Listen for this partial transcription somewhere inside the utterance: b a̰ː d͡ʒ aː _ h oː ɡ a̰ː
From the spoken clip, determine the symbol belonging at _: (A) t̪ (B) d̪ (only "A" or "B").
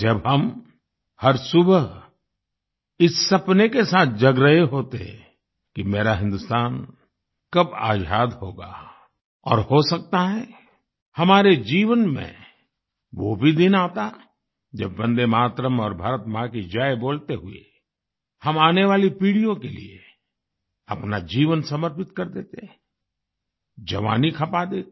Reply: B